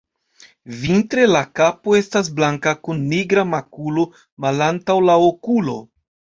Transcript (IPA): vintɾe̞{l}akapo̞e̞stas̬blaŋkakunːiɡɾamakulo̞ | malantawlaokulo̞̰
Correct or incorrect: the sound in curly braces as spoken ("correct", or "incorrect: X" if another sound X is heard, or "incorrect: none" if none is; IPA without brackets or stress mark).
correct